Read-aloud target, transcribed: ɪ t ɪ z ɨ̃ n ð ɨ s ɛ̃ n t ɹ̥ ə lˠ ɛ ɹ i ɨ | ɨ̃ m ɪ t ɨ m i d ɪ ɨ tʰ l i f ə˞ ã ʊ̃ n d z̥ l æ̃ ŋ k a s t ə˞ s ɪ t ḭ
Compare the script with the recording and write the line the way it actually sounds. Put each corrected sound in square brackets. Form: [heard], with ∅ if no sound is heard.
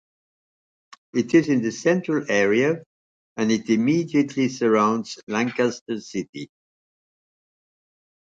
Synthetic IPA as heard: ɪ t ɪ z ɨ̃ n ð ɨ s ɛ̃ n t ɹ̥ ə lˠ ɛ ɹ i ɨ | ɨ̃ [n] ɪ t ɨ m i d [i] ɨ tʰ l i [s] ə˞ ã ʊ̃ n d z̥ l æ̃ ŋ k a s t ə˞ s ɪ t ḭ